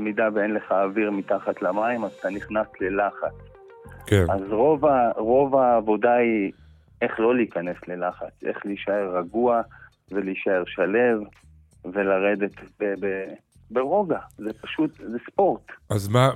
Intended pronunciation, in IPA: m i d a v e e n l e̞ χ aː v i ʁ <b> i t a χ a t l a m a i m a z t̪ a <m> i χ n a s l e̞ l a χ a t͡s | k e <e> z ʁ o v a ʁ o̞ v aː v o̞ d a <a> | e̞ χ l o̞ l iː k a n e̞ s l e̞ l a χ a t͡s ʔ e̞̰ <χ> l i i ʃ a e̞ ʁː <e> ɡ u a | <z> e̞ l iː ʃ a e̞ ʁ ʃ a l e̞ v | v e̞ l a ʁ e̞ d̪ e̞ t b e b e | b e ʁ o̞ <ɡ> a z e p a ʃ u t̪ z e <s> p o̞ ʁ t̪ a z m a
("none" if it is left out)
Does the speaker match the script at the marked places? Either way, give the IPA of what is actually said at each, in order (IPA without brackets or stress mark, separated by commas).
m, n, a, i, χ, a, v, ɡ, s